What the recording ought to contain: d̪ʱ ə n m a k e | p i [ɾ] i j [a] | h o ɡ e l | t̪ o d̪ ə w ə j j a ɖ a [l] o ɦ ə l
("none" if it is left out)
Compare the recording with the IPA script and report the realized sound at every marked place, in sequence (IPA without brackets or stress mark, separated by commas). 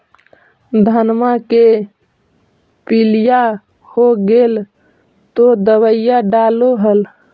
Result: l, a, l